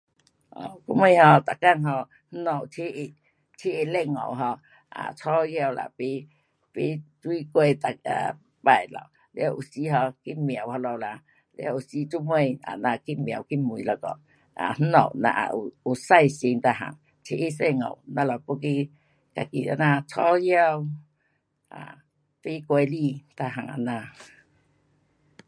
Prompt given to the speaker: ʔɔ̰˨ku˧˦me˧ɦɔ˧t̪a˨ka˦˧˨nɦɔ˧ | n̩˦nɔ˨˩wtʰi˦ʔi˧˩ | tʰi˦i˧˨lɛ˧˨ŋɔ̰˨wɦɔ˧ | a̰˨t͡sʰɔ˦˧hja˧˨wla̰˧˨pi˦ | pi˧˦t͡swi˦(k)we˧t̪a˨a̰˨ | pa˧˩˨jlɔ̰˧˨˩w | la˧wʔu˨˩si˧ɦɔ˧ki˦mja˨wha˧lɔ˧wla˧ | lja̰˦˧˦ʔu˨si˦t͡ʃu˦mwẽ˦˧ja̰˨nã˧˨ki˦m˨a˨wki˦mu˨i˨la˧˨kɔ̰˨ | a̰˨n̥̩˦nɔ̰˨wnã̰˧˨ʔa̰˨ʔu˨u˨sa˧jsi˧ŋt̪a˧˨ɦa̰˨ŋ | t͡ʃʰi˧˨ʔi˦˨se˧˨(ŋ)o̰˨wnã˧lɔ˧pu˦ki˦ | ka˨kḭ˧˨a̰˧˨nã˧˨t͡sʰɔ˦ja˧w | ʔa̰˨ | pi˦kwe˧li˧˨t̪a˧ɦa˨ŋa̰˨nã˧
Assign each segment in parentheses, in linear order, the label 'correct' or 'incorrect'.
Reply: correct, correct

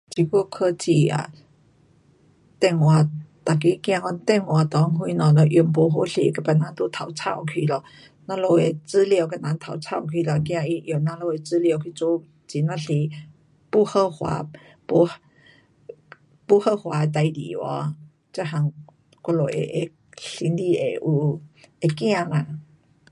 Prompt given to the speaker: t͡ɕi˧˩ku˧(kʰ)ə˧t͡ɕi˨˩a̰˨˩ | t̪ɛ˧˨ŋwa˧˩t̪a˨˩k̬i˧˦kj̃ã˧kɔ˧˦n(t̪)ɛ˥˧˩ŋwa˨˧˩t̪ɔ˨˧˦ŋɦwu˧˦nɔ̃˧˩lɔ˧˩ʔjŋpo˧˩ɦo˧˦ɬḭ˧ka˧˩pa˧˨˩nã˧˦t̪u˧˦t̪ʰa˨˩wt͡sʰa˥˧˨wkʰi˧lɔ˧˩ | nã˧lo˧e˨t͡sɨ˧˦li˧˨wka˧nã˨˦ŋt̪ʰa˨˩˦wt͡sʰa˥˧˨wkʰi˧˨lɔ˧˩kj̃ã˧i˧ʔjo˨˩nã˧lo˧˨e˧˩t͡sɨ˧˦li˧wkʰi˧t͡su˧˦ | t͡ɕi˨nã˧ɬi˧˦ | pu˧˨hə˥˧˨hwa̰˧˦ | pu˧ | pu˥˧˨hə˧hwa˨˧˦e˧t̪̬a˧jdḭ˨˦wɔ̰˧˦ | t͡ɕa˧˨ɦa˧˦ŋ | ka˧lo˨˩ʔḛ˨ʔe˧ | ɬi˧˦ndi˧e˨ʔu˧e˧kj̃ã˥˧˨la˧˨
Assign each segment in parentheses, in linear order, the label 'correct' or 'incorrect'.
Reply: correct, correct

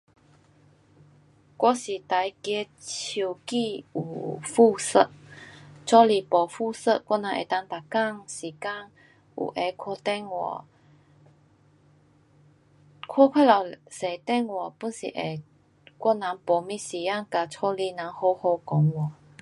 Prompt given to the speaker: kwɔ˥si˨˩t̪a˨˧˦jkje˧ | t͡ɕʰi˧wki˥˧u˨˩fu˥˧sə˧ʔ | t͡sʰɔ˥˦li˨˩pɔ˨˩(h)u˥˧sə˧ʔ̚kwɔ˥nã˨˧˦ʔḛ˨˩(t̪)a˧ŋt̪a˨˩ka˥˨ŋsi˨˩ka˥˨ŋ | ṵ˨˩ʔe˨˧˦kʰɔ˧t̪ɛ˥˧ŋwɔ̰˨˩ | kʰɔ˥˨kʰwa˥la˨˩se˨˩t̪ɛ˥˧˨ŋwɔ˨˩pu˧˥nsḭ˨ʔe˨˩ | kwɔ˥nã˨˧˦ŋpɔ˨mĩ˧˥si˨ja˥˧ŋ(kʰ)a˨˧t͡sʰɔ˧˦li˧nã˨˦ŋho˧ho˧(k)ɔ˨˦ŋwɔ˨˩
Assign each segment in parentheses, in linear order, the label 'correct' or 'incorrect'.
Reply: incorrect, correct, incorrect, correct

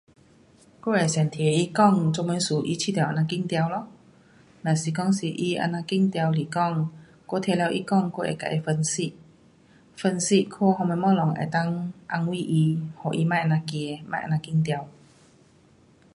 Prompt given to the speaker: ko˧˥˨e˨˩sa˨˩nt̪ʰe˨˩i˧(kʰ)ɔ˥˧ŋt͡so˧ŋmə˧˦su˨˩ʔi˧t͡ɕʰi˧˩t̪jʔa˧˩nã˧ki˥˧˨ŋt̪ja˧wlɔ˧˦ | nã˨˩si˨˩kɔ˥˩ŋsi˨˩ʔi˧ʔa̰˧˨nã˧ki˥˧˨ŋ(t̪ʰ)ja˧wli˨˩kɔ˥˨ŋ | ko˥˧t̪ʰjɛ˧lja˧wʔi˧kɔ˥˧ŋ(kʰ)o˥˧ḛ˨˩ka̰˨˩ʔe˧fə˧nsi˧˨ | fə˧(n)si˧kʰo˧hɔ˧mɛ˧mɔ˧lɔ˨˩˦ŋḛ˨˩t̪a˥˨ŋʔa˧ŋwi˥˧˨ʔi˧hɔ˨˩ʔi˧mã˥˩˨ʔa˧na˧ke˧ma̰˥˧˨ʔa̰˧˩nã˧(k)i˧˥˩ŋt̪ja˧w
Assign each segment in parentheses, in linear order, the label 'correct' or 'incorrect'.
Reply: incorrect, incorrect, incorrect, correct, correct

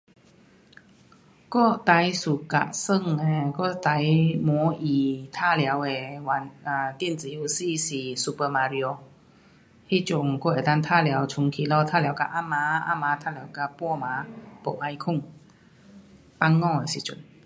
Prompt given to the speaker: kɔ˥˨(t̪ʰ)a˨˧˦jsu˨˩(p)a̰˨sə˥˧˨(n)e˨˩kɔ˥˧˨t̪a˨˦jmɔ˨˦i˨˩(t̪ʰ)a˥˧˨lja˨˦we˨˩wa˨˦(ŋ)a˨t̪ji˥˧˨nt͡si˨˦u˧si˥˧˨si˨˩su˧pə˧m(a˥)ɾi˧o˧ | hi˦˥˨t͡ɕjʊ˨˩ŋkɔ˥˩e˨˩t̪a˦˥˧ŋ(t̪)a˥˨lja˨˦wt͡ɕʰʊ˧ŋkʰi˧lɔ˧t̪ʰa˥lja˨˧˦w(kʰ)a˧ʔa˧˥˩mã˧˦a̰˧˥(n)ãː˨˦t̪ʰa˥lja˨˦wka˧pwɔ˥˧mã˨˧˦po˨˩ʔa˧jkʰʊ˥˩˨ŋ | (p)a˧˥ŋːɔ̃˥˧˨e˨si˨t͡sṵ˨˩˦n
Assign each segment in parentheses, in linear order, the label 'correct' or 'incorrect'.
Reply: incorrect, incorrect, incorrect, correct, incorrect, incorrect, incorrect, incorrect, incorrect, correct

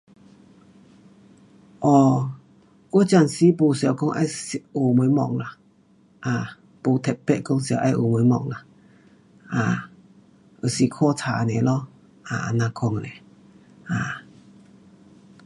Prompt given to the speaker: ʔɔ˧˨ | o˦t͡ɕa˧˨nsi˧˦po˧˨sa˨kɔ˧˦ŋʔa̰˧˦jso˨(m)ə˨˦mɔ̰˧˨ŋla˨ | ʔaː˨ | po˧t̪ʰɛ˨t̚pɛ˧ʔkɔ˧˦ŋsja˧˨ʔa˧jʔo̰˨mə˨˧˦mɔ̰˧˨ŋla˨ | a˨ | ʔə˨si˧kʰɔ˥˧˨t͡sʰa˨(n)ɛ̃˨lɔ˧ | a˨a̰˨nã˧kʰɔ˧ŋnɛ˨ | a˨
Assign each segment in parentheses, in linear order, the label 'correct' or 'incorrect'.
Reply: correct, correct

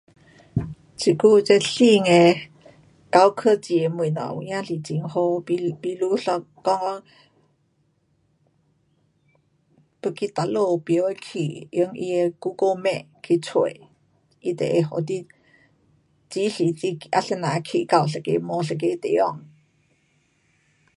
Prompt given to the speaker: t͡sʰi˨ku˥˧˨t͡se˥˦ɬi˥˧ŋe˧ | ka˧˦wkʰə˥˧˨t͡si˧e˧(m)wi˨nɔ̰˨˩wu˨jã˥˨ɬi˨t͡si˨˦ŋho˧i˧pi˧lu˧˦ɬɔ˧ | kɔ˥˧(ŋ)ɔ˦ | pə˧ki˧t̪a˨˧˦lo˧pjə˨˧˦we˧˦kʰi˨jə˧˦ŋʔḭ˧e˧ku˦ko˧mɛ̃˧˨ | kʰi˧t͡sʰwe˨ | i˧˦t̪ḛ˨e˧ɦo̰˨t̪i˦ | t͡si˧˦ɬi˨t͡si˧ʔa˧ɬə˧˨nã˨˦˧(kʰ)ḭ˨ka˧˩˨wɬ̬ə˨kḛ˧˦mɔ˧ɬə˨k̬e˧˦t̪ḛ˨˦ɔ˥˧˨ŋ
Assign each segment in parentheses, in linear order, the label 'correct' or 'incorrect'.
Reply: correct, correct, correct

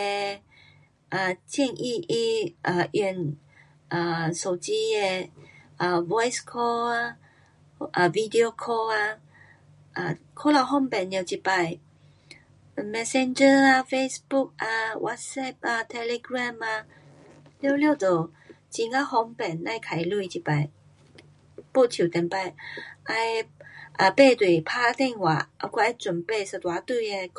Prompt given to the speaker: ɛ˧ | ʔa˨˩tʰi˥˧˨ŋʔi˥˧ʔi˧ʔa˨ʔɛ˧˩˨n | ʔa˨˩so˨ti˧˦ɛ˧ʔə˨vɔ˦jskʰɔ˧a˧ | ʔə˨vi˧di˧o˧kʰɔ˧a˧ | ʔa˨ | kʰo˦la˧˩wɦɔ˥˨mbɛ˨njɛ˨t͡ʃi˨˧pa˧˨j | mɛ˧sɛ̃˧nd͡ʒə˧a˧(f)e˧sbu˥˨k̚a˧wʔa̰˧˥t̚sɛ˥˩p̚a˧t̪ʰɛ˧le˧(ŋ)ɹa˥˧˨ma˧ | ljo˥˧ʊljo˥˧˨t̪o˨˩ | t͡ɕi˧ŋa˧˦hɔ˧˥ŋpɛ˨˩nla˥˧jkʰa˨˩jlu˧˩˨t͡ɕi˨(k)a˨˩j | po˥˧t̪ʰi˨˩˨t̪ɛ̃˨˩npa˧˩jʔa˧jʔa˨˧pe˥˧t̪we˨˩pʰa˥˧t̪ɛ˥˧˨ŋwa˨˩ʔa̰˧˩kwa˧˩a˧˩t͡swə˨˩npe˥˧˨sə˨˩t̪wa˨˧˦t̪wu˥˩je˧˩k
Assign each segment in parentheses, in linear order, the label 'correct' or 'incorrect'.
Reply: correct, incorrect, incorrect

